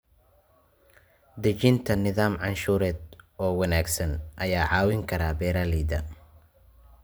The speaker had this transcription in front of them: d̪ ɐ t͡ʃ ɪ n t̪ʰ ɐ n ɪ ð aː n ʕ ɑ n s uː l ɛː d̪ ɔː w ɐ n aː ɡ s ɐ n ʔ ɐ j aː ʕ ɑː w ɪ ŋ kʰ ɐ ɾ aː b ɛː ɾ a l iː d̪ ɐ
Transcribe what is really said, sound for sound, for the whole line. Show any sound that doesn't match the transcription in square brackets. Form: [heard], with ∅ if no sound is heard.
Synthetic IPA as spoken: d̪ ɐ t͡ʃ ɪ n t̪ʰ ɐ n ɪ ð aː [m] ʕ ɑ n [ʃ] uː [ɾ] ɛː d̪ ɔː w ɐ n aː ɡ s ɐ n ʔ ɐ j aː ʕ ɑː w ɪ ŋ kʰ ɐ ɾ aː b ɛː ɾ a l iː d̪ ɐ